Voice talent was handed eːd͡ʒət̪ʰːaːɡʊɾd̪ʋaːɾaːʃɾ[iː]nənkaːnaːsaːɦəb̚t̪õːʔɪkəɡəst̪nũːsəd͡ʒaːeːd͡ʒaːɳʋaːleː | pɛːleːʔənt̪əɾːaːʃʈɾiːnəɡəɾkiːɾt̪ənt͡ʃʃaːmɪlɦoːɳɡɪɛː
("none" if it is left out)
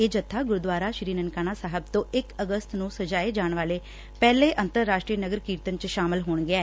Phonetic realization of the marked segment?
iː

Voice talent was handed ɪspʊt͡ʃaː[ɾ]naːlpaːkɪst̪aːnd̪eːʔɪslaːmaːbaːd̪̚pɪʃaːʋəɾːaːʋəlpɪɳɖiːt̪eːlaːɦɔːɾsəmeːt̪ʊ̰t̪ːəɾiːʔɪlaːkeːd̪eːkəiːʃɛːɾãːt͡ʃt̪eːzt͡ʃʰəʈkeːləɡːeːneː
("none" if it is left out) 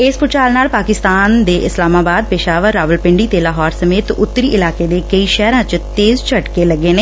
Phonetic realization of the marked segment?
l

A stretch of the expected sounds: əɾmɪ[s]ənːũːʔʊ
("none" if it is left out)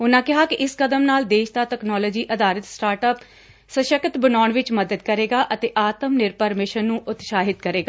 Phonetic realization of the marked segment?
ʃ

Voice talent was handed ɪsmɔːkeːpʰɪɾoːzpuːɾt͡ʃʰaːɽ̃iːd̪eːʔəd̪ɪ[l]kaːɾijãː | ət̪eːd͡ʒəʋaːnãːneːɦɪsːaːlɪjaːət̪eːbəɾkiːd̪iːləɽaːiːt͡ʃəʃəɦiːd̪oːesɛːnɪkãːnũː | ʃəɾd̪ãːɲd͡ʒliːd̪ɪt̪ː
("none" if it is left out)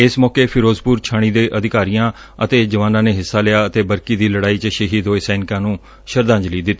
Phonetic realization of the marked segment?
none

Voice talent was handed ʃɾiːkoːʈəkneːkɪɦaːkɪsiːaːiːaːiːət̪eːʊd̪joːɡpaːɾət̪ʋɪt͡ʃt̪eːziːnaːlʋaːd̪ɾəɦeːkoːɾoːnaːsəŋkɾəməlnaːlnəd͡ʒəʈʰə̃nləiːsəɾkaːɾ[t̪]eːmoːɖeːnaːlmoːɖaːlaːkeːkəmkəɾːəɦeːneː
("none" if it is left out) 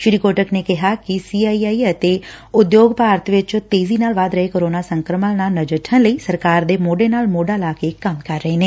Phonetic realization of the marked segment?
d̪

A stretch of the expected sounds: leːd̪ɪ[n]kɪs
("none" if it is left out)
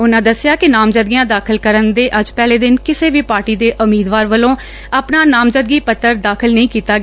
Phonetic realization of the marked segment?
n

